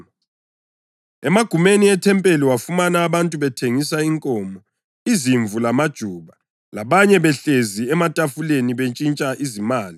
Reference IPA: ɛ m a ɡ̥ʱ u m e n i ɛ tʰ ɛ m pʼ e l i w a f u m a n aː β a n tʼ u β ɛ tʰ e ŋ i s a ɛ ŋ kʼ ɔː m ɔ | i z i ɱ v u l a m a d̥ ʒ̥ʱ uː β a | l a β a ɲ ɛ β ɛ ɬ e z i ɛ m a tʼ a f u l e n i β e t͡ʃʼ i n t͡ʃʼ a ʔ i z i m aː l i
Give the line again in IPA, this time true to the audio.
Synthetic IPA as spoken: ɛ m a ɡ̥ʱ u m e n i ɛ tʰ ɛ m pʼ e l i w a f u m a n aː β a n tʼ u β ɛ tʰ e ŋ i s a i ŋ kʼ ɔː m ɔ | i z i ɱ v u l a m a d̥ ʒ̥ʱ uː β a | l a β a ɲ ɛ β ɛ ɬ e z i ɛ m a tʼ a f u l e n i β e t͡ʃʼ i n t͡ʃʼ a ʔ i z i m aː l i